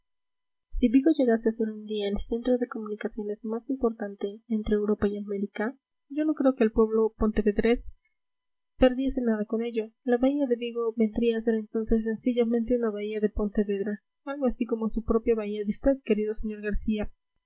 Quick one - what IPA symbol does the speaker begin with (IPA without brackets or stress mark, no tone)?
s